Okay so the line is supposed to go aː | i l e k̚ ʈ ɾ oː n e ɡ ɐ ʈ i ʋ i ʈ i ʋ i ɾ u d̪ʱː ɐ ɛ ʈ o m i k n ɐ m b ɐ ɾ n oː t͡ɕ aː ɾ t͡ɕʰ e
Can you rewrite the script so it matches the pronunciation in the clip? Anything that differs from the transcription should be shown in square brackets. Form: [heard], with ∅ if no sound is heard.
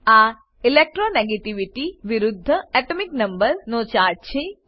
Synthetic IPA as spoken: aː | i l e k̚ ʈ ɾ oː n e ɡ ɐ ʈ i ʋ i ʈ i ʋ i ɾ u d̪ʱː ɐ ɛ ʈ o m i k n ɐ m b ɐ ɾ n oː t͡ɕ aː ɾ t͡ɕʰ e